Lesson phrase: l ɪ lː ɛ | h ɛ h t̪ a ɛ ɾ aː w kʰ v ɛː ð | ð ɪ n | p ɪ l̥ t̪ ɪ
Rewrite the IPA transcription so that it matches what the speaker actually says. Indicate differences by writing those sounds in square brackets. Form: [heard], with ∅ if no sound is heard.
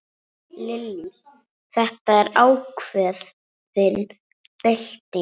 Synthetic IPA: l ɪ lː [i] | [θ] ɛ h t̪ a ɛ ɾ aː w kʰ v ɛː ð | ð ɪ n | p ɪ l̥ t̪ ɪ